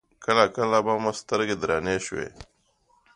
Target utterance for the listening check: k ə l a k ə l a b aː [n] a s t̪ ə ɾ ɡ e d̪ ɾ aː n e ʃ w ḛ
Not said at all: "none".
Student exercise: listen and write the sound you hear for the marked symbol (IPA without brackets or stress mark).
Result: m